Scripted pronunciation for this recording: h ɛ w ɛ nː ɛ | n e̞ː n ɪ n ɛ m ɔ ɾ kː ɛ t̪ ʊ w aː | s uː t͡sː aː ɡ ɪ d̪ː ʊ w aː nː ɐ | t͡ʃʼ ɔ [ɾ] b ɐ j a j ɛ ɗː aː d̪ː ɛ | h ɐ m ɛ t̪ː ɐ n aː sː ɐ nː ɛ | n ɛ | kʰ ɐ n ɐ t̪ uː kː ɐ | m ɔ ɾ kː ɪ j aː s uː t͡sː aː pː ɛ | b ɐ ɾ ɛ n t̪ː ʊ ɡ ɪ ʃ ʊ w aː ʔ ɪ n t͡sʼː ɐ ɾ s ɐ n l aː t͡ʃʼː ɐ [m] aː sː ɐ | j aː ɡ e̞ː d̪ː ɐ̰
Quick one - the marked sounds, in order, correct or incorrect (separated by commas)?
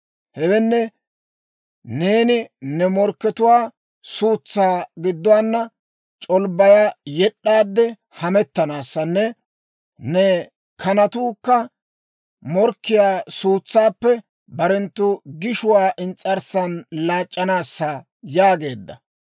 incorrect, incorrect